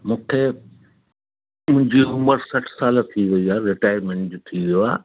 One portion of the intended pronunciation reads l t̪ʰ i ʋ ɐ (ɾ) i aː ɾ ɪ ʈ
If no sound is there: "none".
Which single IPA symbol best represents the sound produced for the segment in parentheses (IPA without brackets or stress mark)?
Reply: none